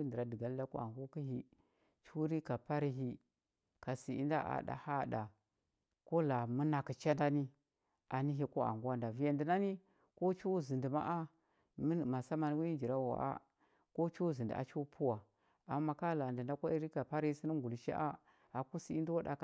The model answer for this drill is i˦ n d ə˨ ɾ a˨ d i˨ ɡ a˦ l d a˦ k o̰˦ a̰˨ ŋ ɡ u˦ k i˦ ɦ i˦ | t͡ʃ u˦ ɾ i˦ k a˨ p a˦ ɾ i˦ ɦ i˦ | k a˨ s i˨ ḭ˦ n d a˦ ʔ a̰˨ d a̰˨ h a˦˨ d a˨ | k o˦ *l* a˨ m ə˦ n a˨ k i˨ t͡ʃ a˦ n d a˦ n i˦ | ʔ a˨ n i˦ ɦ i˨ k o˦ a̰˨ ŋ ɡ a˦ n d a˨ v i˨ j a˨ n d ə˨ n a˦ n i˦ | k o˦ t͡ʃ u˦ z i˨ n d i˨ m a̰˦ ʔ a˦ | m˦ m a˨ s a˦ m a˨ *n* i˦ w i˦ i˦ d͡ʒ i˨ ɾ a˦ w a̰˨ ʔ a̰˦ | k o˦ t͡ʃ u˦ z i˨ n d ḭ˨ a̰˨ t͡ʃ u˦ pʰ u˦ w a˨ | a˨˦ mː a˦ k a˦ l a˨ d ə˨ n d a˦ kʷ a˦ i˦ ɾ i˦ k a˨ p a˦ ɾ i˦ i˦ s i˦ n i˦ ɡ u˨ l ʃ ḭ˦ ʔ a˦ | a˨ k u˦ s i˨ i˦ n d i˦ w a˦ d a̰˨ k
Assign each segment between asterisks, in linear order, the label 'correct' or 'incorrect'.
correct, correct

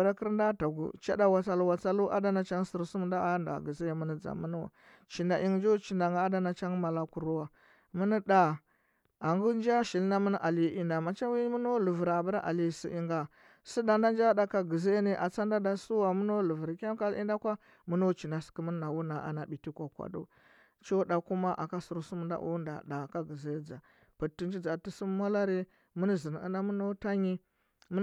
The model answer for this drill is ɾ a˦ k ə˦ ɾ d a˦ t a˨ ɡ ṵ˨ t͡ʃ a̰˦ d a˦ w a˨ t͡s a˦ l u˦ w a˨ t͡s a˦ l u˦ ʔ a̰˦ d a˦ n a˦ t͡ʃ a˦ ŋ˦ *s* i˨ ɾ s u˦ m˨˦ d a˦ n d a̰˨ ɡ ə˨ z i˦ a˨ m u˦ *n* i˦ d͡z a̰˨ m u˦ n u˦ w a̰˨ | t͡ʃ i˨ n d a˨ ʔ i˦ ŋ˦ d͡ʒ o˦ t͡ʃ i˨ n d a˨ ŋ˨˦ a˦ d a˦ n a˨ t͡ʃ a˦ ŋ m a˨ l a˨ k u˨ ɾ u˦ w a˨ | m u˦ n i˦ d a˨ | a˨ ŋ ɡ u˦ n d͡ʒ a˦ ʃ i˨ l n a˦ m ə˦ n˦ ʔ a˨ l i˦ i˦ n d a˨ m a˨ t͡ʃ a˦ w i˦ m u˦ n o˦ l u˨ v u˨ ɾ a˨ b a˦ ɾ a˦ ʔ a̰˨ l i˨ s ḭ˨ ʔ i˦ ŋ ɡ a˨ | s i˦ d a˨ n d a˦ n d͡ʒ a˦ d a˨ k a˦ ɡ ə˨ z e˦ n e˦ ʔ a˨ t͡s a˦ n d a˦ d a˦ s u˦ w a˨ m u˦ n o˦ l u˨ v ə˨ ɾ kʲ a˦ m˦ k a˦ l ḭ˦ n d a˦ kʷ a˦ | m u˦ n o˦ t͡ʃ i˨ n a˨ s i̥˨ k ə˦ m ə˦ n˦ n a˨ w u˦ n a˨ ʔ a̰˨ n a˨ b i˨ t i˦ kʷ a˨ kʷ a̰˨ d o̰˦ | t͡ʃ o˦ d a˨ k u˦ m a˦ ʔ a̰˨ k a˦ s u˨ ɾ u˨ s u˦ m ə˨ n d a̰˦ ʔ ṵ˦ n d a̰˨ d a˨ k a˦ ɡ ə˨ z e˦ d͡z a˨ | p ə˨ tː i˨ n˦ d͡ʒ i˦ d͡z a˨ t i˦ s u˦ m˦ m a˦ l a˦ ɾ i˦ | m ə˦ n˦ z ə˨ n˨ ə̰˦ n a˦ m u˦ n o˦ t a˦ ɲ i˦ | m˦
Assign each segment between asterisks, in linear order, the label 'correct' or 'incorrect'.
correct, correct

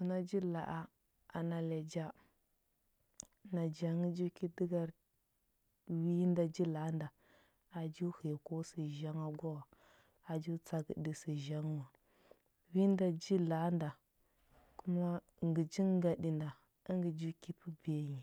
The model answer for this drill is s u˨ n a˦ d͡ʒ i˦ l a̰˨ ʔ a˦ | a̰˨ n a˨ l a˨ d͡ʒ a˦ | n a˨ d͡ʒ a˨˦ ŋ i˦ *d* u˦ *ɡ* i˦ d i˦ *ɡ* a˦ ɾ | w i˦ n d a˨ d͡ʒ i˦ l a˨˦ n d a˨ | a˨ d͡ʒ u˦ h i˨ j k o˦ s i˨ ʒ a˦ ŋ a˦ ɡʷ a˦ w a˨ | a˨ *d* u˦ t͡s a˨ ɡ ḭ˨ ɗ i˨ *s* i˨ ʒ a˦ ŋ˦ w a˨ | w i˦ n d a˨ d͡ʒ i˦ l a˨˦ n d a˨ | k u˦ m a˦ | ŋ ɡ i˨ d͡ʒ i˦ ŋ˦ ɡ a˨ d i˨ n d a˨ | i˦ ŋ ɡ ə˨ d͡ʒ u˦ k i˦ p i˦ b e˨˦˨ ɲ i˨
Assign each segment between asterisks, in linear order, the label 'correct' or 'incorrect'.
incorrect: d͡ʒ, incorrect: k, correct, incorrect: d͡ʒ, correct

